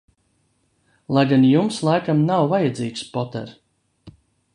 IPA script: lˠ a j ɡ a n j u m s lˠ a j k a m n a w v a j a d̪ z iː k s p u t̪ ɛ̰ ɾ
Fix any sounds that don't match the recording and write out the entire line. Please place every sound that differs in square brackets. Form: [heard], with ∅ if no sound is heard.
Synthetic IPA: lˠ a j ɡ a n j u m s lˠ a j k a m n a w v a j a d̪ z iː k s p [ɔ] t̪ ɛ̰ ɾ